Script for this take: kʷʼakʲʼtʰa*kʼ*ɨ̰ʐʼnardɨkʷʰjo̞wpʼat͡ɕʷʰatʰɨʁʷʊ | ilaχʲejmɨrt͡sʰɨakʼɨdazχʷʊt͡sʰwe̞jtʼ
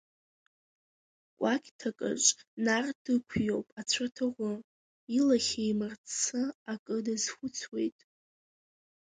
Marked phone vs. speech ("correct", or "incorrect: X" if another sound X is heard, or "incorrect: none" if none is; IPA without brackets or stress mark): correct